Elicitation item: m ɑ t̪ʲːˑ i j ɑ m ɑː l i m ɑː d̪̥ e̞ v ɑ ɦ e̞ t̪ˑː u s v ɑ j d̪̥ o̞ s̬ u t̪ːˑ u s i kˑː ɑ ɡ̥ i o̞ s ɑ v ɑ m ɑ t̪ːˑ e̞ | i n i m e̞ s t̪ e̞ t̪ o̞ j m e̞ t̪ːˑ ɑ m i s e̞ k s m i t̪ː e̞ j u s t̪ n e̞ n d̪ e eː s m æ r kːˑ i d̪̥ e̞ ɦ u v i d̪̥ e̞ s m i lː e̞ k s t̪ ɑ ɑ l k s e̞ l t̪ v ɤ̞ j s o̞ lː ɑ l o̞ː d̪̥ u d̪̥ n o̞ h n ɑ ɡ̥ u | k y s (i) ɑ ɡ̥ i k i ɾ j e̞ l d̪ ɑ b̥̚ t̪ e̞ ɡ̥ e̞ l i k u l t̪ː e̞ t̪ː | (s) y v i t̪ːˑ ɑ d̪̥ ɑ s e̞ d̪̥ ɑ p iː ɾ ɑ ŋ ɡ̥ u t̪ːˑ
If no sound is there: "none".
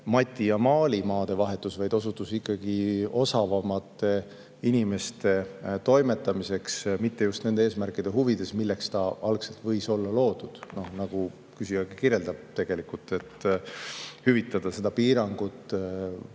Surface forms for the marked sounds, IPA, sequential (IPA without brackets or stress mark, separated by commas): i, h